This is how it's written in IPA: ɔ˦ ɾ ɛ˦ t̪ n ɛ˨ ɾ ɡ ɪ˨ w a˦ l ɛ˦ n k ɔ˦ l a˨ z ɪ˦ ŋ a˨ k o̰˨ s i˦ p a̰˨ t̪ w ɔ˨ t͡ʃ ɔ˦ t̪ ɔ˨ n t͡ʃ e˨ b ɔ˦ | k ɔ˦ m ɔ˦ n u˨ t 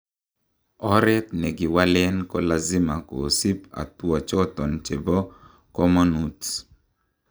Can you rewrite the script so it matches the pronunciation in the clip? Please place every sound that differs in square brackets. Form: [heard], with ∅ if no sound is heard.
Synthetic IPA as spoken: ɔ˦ ɾ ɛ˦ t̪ n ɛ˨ [∅] ɡ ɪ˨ w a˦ l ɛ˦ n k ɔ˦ l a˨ z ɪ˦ [m] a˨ k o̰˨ s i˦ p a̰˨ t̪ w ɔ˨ t͡ʃ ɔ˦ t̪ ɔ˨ n t͡ʃ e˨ b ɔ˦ | k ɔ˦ m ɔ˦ n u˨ t